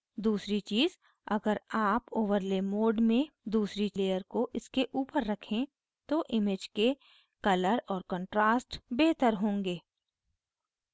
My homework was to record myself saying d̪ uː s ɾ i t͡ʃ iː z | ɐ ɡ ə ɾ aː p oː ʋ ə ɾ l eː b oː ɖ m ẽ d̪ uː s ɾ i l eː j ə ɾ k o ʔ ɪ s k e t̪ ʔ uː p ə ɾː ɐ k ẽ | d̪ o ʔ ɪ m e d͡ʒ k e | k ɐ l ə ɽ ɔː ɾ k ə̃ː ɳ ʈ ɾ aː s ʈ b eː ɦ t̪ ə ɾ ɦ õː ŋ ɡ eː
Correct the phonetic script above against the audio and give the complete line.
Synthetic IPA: d̪ uː s ɾ i t͡ʃ iː z | ɐ ɡ ə ɾ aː p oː ʋ ə ɾ l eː m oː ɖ m ẽ d̪ uː s ɾ i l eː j ə ɾ k o ʔ ɪ s k e ʔ uː p ə ɾː ɐ kʰ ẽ | t̪ o ʔ ɪ m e d͡ʒ k e | k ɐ l ə ɾ ɔː ɾ k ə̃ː ɳ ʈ ɾ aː s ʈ b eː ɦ t̪ ə ɾ ɦ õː ŋ ɡ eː